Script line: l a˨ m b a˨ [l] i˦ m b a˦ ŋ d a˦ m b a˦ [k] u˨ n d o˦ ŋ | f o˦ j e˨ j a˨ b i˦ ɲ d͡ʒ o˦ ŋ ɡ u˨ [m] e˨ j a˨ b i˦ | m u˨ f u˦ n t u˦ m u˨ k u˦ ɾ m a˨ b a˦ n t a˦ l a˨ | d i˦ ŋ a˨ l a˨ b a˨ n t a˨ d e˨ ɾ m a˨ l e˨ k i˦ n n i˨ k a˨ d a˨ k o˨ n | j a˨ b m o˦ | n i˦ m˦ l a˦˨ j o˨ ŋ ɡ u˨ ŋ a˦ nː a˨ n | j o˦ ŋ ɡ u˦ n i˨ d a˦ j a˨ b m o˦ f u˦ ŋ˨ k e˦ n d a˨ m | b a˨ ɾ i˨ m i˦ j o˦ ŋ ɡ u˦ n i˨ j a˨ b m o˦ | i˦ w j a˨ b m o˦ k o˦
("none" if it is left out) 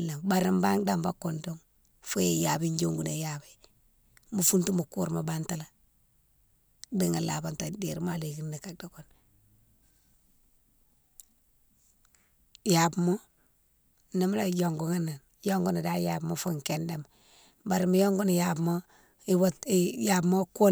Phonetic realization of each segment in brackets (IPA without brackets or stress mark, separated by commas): ɾ, k, n